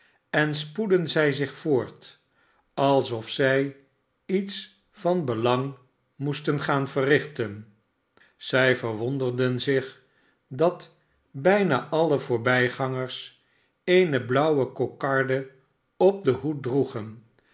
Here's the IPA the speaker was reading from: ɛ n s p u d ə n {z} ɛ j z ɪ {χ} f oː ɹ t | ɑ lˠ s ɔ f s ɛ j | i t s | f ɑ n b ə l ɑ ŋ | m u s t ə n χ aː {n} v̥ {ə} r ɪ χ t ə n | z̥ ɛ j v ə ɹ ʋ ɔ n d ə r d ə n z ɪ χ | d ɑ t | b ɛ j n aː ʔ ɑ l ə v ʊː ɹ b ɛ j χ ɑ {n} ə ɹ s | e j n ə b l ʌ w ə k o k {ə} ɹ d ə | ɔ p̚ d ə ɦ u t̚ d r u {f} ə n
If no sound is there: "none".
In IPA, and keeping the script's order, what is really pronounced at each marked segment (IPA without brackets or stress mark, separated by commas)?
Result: z, χ, n, ə, ŋ, ɑ, χ